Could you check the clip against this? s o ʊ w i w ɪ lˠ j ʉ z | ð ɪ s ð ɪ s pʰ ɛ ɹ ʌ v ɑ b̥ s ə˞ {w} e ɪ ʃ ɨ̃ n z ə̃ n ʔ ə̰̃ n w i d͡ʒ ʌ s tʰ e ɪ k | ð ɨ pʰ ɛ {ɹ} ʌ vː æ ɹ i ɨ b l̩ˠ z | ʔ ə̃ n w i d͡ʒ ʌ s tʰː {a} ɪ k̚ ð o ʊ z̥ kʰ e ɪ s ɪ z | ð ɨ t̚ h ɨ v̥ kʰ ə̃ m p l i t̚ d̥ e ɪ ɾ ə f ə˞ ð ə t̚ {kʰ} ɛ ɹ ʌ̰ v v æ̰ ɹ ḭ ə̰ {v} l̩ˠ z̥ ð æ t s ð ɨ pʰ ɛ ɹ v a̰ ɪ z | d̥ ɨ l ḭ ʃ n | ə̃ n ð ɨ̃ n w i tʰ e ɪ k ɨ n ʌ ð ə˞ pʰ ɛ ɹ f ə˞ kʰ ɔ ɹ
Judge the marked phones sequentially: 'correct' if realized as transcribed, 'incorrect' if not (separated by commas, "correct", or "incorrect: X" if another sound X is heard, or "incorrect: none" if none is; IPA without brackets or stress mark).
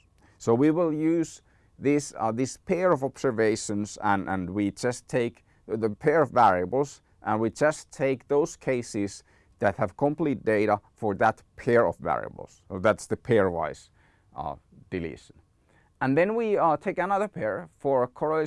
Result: incorrect: v, correct, incorrect: e, incorrect: pʰ, incorrect: b